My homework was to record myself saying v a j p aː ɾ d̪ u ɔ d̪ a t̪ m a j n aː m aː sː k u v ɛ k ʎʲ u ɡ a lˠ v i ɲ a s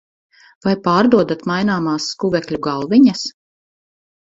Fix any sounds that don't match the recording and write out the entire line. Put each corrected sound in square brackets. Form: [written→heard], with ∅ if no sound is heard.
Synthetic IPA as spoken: v a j p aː ɾ d̪ u ɔ d̪ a t̪ m a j n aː m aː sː k u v ɛ k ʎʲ u ɡ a lˠ v i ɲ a s

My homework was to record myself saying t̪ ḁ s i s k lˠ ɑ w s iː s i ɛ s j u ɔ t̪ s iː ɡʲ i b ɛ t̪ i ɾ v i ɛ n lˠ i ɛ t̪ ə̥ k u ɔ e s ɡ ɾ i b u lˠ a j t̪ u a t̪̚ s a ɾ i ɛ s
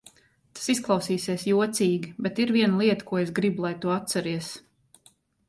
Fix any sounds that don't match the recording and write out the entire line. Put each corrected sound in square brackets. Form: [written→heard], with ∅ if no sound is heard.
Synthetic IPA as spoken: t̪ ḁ s i s k lˠ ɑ w s iː s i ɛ s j u ɔ t̪ s iː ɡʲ i b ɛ t̪ i ɾ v i ɛ n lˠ i ɛ t̪ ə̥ k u ɔ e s ɡ ɾ i b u lˠ a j t̪ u a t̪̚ s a ɾ i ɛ s

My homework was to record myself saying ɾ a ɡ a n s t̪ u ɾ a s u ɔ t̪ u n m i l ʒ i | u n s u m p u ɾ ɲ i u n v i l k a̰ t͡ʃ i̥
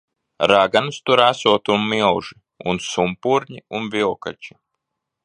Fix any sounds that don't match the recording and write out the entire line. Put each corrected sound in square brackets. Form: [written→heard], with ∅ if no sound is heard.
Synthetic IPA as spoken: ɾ a ɡ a n s t̪ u ɾ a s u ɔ t̪ u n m i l ʒ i | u n s u m p u ɾ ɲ i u n v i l k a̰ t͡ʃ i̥

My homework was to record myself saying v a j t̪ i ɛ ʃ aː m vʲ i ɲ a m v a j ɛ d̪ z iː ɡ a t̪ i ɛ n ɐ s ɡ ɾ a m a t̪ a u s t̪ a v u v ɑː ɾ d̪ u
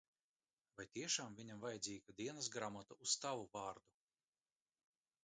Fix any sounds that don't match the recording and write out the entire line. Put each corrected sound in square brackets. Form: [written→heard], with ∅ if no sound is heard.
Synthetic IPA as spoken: v a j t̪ i ɛ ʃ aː m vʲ i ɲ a m v a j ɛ d̪ z iː ɡ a [t̪→d̪] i ɛ n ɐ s ɡ ɾ a m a t̪ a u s t̪ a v u v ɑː ɾ d̪ u

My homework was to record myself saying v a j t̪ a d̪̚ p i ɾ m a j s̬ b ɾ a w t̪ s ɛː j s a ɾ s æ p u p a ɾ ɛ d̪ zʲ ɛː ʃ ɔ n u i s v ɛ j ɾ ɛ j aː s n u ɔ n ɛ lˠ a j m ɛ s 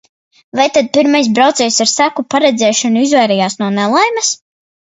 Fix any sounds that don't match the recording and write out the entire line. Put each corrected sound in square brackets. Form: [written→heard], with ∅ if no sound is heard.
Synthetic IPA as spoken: v a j t̪ a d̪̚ p i ɾ m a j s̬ b ɾ a w t̪ s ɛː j s a ɾ s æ [p→k] u p a ɾ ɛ d̪ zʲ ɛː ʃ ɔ n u i [s→z] v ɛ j ɾ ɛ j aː s n u ɔ n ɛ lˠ a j m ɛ s

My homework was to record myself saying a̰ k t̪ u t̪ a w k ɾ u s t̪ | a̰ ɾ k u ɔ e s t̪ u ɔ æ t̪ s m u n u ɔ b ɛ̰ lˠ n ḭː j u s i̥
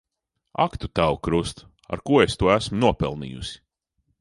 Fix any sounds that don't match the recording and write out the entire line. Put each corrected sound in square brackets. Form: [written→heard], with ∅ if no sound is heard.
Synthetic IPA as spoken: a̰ k t̪ u t̪ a w k ɾ u s t̪ | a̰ ɾ k u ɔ e s t̪ u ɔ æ [t̪→∅] s m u n u ɔ [b→p] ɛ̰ lˠ n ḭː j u s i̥

